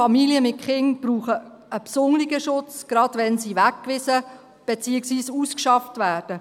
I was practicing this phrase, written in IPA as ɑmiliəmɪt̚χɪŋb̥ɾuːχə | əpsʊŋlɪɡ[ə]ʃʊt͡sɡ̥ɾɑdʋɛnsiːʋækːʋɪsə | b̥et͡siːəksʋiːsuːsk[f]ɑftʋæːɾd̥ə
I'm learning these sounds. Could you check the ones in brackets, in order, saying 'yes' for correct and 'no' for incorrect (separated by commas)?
yes, no